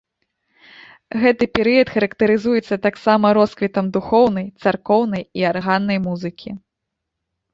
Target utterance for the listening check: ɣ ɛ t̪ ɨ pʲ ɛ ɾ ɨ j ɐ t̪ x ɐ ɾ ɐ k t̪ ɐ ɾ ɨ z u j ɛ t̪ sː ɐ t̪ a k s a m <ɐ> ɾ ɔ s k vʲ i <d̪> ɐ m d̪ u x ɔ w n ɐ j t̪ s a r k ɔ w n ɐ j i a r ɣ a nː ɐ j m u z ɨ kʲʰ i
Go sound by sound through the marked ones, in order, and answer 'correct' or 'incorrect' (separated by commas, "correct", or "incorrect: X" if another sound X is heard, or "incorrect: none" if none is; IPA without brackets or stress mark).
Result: correct, incorrect: t̪